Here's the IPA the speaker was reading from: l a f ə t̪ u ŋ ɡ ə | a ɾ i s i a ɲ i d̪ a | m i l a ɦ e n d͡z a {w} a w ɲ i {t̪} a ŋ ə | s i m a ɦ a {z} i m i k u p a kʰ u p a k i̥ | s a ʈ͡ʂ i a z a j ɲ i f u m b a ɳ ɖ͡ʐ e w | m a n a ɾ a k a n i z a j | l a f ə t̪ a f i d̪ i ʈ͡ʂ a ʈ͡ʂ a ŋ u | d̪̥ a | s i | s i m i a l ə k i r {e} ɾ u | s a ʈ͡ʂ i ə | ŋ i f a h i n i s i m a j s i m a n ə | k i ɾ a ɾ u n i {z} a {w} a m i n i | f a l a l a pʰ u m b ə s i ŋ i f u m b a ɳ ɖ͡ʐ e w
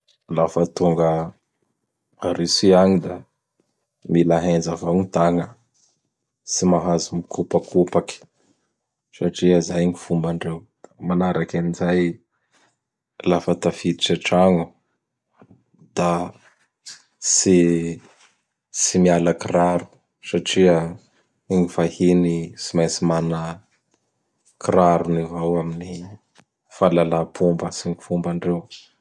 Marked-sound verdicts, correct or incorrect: incorrect: v, correct, correct, incorrect: a, incorrect: v, correct

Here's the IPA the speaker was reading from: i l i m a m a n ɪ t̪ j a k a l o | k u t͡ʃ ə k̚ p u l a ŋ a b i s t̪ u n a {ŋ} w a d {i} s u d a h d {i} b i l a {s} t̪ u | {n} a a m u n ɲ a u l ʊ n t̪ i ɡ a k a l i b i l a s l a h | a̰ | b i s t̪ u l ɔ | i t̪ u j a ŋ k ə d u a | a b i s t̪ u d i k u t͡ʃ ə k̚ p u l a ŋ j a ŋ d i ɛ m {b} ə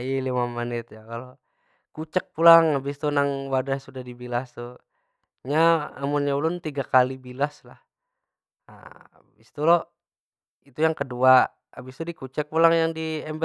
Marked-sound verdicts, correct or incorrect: correct, incorrect: a, correct, correct, incorrect: ɲ, correct

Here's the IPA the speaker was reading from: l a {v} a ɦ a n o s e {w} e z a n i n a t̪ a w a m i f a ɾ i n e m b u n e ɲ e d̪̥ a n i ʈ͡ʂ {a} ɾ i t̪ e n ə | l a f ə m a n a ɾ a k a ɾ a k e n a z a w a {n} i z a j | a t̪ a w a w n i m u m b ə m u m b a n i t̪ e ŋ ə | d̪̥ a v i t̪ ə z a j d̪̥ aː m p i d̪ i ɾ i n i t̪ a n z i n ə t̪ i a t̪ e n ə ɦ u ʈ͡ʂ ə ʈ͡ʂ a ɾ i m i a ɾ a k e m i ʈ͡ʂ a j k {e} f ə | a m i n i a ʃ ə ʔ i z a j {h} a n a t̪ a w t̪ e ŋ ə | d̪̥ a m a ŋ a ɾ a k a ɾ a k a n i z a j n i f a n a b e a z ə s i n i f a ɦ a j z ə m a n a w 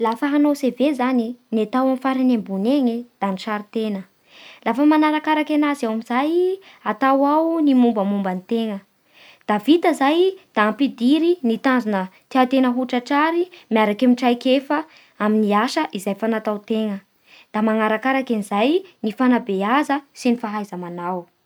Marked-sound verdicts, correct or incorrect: incorrect: f, incorrect: v, correct, incorrect: m, correct, incorrect: f

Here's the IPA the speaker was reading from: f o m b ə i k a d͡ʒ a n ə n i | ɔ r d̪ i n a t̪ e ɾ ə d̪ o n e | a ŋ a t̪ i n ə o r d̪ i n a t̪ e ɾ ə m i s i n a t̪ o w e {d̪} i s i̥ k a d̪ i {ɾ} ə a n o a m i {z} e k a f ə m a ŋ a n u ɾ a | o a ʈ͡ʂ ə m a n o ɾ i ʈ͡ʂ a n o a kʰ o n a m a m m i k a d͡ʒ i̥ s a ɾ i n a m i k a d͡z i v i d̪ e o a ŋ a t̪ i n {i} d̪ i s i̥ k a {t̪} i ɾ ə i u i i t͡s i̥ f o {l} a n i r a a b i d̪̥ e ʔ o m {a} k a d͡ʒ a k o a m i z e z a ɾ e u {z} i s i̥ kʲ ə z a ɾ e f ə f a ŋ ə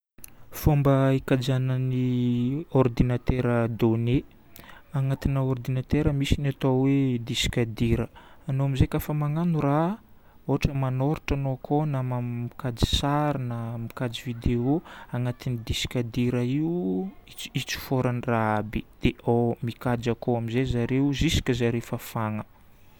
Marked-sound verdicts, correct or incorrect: correct, correct, correct, correct, incorrect: d̪, incorrect: ɾ, incorrect: i, correct

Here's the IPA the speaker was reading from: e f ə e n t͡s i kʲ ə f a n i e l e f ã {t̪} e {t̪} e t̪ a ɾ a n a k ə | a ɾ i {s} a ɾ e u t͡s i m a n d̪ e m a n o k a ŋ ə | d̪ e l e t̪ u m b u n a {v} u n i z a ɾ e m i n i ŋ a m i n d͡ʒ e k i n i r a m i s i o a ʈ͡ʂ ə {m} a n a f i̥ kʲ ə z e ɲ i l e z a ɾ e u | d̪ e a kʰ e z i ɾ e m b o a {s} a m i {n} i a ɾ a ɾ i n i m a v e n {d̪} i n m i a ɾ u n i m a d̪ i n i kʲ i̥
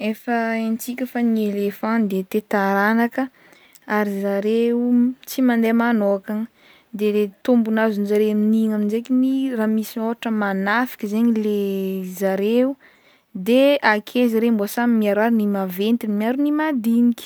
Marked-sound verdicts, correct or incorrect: incorrect: d̪, correct, incorrect: z, incorrect: z, correct, correct, incorrect: m, incorrect: t̪

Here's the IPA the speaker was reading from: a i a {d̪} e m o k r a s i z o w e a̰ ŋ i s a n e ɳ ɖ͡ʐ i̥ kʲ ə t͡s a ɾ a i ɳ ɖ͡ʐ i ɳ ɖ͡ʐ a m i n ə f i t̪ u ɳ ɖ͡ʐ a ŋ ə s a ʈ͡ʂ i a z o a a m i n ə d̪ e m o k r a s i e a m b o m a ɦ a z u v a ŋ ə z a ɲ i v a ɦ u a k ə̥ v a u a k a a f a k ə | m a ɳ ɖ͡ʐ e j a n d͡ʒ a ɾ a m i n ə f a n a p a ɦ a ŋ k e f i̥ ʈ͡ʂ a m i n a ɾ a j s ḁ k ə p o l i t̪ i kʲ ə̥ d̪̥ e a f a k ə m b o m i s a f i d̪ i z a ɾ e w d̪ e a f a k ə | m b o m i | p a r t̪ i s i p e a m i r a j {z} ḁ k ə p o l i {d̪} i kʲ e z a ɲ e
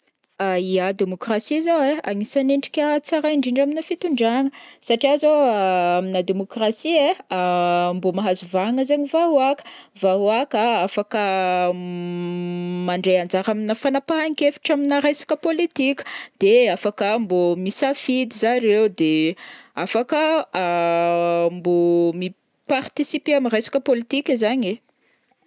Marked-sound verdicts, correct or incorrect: correct, incorrect: s, incorrect: t̪

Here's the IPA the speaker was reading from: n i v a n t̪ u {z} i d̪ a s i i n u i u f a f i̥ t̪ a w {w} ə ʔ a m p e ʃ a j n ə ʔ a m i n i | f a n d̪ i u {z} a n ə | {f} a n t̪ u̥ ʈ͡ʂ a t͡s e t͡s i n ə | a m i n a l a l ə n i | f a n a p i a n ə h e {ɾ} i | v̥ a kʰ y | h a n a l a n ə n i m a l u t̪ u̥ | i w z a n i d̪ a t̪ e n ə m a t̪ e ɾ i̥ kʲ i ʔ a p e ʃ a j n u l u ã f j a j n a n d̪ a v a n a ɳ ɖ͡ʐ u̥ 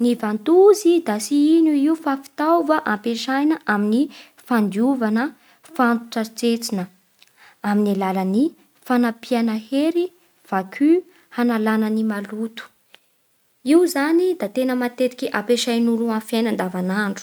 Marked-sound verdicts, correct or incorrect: correct, incorrect: v, incorrect: v, correct, correct

